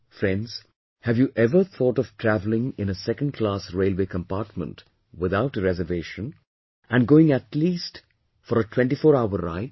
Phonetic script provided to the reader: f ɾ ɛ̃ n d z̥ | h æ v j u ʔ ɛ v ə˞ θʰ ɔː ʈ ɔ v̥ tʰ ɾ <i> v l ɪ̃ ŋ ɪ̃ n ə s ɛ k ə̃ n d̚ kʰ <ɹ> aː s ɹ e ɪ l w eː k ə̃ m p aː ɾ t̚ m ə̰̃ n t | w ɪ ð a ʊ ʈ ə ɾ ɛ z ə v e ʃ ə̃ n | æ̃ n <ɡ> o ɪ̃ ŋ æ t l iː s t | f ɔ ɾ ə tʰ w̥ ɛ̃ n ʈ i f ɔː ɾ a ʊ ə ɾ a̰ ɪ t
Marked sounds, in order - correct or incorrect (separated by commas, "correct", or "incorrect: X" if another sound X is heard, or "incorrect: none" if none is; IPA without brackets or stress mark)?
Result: incorrect: æ, incorrect: l, correct